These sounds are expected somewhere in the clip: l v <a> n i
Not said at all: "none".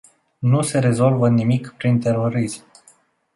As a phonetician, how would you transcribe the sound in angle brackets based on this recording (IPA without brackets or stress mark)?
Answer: ə